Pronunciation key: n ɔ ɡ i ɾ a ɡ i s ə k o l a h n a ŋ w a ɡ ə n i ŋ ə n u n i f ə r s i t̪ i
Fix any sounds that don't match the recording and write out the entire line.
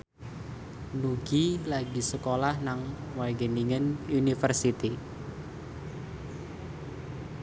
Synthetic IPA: n u ɡ i l a ɡ i s ə k o l a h n a ŋ w a ɡ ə n i ŋ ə n u n i f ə r s i t̪ i